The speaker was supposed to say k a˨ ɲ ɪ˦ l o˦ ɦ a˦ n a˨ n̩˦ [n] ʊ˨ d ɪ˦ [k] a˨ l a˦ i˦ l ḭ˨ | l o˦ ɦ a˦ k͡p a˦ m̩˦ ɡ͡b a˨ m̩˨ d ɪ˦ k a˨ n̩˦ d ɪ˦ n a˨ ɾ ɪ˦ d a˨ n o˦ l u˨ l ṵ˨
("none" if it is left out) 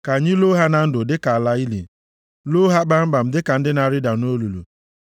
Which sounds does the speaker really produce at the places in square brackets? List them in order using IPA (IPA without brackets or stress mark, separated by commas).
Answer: d, k